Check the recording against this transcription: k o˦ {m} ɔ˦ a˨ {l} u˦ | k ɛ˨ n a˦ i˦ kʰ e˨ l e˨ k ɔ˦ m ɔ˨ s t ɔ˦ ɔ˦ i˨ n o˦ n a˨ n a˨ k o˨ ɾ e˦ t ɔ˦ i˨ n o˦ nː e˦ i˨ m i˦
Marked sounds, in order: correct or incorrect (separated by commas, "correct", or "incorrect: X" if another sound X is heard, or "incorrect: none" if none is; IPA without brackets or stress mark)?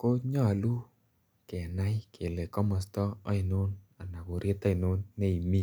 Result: incorrect: ɲ, correct